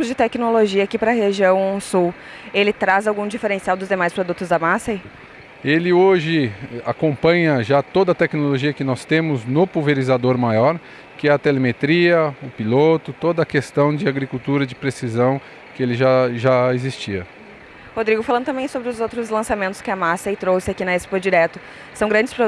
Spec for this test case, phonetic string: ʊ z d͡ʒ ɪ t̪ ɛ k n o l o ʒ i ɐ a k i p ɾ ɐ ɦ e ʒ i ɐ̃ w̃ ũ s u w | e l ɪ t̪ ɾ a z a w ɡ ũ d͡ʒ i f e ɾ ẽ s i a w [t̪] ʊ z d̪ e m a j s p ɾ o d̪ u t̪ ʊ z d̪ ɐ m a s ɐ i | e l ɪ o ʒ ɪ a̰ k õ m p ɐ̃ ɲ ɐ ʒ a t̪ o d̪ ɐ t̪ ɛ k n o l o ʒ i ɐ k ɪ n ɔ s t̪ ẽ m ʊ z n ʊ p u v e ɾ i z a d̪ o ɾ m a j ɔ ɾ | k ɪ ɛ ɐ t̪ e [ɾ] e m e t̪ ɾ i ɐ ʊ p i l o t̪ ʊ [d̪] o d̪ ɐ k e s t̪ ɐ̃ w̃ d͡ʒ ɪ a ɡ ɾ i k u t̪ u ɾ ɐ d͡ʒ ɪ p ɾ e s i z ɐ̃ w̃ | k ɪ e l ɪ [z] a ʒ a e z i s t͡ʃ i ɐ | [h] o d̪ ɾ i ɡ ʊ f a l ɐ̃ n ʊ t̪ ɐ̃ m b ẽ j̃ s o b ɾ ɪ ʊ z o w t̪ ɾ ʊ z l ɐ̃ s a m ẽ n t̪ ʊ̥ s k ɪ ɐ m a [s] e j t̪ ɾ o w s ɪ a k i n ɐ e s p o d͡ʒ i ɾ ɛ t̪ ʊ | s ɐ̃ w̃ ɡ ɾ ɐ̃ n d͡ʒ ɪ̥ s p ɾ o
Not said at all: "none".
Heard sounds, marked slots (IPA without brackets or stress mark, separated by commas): d̪, l, t̪, ʒ, h, s